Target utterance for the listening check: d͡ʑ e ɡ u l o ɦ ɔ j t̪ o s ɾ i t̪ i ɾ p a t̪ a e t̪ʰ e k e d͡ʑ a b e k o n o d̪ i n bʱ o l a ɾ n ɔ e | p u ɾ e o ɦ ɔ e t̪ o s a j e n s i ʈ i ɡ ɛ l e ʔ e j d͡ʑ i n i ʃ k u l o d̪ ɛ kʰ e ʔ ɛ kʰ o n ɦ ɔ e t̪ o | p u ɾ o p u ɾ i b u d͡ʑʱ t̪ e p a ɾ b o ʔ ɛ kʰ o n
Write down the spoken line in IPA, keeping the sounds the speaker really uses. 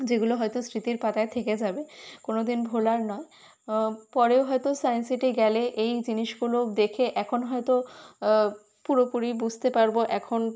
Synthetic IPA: d͡ʑ e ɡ u l o ɦ ɔ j t̪ o s ɾ i t̪ i ɾ p a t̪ a e t̪ʰ e k e d͡ʑ a b e k o n o d̪ i n bʱ o l a ɾ n ɔ e | p ɔ ɾ e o ɦ ɔ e t̪ o s a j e n s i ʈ i ɡ ɛ l e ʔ e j d͡ʑ i n i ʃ ɡ u l o d̪ e kʰ e ʔ ɛ kʰ o n ɦ ɔ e t̪ o | p u ɾ o p u ɾ i b u d͡ʑʱ t̪ e p a ɾ b o ʔ ɛ kʰ o n